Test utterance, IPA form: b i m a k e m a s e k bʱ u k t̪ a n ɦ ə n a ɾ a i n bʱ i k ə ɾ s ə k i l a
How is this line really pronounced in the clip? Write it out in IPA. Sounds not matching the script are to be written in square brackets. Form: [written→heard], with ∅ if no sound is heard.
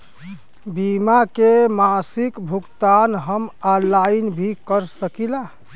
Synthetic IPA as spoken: b i m a k e m a s [e→i] k bʱ u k t̪ a n ɦ ə [n→m] a [ɾ→l] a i n bʱ i k ə ɾ s ə k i l a